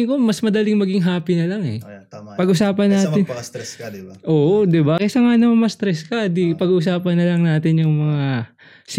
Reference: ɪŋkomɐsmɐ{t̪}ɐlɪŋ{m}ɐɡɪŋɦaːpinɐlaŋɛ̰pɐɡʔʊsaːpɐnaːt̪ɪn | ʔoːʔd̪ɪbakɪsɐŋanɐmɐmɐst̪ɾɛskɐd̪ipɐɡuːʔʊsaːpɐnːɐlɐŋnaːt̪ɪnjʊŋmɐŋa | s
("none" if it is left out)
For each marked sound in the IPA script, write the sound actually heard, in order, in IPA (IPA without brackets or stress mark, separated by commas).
d̪, m